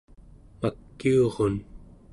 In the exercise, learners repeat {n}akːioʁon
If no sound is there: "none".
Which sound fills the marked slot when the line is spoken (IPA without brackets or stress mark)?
m